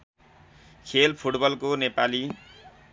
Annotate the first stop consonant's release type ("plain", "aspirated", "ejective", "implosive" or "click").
aspirated